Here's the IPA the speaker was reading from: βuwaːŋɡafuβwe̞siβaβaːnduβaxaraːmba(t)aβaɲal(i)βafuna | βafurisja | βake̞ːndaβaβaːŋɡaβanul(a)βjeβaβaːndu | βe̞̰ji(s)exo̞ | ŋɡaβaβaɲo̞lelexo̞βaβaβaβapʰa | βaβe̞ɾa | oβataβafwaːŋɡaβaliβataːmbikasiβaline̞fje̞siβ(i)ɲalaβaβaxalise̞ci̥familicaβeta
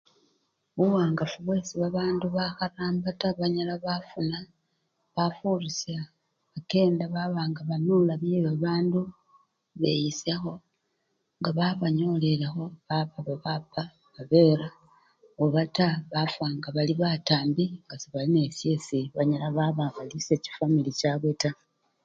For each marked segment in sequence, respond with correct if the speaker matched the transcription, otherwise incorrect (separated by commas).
correct, incorrect, correct, correct, incorrect